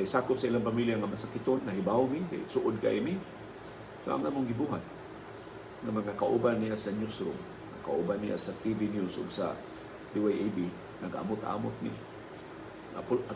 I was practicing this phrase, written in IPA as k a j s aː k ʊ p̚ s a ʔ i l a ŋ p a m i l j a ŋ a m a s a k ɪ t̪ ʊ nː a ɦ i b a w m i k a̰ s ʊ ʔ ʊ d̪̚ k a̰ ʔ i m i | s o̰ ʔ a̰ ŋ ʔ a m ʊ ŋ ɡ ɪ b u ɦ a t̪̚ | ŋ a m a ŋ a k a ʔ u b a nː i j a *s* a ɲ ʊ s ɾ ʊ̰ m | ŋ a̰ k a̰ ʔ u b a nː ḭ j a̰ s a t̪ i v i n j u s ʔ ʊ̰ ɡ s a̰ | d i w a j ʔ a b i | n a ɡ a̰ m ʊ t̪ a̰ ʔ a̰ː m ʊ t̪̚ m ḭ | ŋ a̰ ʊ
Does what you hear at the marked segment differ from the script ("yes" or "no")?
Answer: no